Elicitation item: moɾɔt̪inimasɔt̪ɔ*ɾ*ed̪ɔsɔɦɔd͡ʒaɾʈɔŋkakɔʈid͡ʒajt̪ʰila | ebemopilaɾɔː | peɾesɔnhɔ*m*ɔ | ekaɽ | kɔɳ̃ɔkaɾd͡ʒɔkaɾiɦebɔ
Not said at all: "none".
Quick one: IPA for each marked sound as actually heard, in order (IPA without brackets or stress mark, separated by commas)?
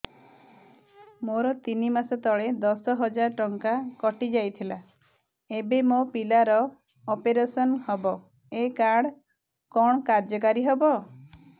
ɭ, b